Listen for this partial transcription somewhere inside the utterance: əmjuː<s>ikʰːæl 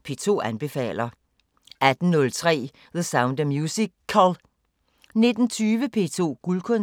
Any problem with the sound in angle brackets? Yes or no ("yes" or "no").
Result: no